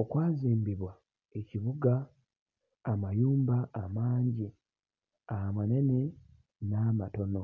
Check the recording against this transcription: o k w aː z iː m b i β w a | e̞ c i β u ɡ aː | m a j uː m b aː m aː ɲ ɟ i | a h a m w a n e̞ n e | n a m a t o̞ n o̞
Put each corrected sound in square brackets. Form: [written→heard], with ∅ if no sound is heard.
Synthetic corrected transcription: o k w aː z iː m b i β w a | e̞ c i β u ɡ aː | m a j uː m b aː m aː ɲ ɟ i | a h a m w a n e̞ n e | n a m a t o̞ n o̞